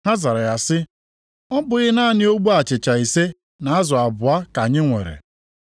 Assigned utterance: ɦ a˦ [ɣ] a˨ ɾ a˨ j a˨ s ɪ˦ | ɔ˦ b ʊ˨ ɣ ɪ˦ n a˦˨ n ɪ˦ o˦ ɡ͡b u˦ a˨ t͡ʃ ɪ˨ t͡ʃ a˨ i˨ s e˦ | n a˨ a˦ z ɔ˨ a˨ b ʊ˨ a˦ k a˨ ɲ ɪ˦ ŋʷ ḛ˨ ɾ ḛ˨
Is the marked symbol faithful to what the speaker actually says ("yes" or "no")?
no